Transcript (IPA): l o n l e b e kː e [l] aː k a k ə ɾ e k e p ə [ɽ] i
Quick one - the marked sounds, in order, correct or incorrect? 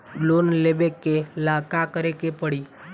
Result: correct, correct

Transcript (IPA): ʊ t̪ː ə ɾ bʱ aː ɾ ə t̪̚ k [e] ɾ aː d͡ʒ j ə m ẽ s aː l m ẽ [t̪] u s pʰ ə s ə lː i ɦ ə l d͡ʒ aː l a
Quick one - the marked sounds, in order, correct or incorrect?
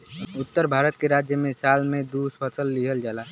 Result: correct, incorrect: d̪

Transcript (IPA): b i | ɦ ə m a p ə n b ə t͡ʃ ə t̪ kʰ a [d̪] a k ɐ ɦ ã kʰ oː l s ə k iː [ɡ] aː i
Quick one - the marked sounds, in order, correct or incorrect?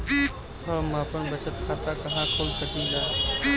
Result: incorrect: t̪, correct

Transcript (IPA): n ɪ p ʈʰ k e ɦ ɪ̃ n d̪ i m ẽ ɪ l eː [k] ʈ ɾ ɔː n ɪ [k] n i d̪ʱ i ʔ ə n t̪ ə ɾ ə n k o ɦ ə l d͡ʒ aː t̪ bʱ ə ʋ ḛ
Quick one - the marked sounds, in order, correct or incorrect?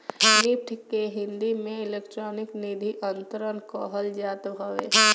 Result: correct, correct

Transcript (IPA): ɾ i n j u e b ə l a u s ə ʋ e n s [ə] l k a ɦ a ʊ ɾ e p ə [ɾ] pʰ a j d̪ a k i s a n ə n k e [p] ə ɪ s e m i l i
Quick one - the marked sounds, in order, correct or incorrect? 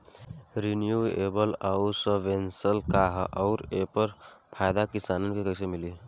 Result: correct, correct, incorrect: k

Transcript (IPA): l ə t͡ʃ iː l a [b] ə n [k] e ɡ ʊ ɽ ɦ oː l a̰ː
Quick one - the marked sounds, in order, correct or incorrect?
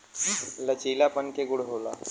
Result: incorrect: p, correct

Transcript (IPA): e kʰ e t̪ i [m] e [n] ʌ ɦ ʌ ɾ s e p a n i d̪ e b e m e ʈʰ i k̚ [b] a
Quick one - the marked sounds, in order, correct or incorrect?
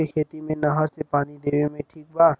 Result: correct, correct, correct

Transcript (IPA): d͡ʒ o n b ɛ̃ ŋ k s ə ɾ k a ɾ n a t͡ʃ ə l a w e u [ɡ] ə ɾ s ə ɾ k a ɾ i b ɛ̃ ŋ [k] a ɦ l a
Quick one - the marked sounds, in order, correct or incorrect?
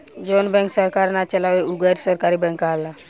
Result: correct, correct

